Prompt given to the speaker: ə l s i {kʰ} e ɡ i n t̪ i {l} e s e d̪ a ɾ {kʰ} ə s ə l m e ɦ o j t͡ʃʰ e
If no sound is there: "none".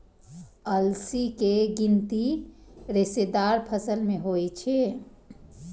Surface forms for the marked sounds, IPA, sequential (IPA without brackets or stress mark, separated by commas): k, ɾ, pʰ